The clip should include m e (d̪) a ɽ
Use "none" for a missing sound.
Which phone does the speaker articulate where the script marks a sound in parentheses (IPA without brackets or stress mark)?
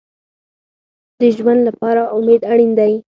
d̪